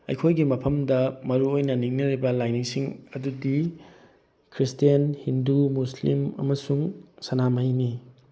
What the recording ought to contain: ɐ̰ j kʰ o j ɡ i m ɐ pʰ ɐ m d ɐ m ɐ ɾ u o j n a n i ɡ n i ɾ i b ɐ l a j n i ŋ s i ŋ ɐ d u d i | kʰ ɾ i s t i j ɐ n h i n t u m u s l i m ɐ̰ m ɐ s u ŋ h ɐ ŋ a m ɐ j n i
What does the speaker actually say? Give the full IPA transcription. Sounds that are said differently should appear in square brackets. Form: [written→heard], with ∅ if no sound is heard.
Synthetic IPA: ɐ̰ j kʰ o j ɡ i m ɐ pʰ ɐ m d ɐ m ɐ ɾ u o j n [a→ɐ] n i [ɡ→ŋ] n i ɾ i b ɐ l a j n i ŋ s i ŋ ɐ d u d i | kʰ ɾ i s t i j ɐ n h i n [t→d] u m u s l i m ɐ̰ m ɐ s u ŋ [h→s] ɐ [ŋ→n] a m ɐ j n i